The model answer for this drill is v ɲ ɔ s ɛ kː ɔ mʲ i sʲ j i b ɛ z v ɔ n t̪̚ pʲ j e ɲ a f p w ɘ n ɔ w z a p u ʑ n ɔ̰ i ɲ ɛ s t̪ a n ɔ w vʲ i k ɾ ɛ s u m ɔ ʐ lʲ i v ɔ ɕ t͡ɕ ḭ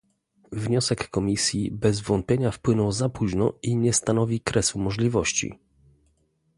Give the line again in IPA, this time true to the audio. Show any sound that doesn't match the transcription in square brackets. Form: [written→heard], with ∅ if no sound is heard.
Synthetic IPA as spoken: v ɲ ɔ s ɛ kː ɔ mʲ i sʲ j i b ɛ z v ɔ n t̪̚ pʲ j e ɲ a f p w ɘ n ɔ w z a p u ʑ n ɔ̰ i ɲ ɛ s t̪ a n ɔ [w→∅] vʲ i k ɾ ɛ s u m ɔ ʐ lʲ i v ɔ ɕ t͡ɕ ḭ